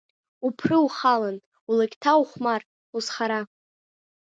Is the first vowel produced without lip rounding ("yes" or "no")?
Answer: no